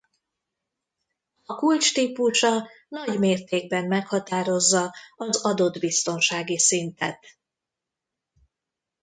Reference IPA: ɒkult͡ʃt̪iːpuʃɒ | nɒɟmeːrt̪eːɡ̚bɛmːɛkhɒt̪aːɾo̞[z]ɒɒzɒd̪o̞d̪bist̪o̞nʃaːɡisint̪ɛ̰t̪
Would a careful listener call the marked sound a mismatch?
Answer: yes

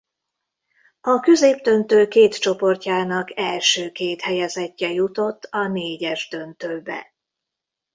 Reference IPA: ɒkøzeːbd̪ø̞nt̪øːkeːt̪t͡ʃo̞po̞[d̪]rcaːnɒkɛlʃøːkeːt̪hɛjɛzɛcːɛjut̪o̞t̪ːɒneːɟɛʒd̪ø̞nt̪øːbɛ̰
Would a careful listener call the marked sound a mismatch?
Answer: yes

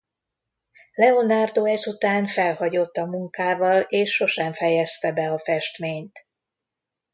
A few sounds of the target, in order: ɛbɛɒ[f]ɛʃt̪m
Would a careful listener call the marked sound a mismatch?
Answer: no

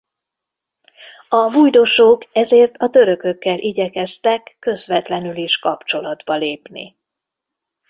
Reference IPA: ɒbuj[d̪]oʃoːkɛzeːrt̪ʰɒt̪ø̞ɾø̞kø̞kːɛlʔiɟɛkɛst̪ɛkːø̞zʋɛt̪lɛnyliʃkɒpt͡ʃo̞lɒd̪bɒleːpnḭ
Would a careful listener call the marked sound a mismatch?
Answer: no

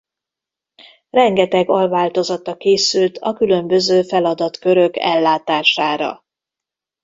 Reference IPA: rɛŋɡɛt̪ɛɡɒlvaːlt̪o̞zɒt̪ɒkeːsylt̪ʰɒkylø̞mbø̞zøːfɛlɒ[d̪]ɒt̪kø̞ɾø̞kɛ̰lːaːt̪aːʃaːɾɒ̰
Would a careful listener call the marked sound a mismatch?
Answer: no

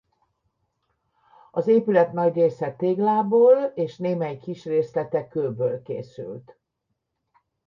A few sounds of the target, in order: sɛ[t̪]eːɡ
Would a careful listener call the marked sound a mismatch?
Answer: no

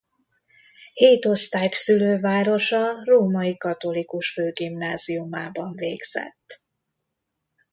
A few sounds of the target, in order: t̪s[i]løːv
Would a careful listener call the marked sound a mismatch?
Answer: yes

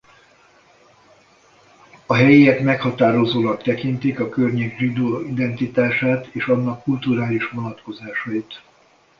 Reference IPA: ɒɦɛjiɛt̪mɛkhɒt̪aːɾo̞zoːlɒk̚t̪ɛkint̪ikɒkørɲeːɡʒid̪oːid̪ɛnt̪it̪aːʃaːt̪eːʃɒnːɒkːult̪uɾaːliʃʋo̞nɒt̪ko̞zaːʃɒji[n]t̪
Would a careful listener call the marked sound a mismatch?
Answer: yes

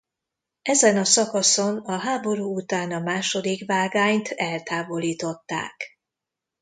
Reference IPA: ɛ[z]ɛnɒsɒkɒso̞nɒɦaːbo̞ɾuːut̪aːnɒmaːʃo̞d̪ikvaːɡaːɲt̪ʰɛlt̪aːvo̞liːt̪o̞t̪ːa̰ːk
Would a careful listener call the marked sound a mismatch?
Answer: no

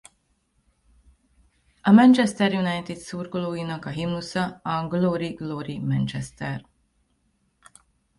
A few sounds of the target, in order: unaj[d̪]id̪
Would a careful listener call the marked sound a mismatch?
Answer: yes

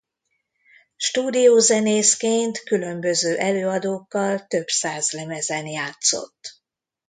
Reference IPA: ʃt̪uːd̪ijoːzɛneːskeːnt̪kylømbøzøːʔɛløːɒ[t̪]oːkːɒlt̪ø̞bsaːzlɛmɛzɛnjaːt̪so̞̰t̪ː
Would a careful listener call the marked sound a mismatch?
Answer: yes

